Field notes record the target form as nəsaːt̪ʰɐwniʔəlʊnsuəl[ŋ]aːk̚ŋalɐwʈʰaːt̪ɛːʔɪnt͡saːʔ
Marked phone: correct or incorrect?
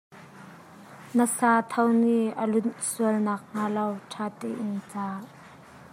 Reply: incorrect: n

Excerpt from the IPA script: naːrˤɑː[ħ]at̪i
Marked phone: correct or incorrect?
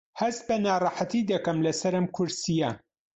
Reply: correct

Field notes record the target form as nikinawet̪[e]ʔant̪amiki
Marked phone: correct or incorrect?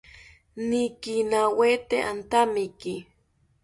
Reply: correct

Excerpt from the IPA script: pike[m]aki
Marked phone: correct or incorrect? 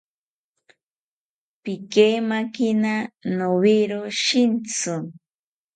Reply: correct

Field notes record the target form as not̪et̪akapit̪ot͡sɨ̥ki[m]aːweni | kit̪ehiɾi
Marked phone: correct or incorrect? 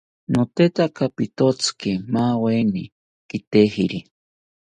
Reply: correct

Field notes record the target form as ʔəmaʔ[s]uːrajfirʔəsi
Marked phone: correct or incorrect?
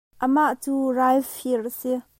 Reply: incorrect: t͡s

